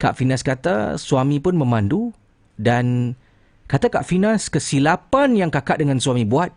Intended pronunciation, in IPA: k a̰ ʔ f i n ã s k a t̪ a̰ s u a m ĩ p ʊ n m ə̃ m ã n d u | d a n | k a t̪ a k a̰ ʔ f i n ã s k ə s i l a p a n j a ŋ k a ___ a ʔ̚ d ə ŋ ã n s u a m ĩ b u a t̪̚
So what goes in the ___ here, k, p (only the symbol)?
k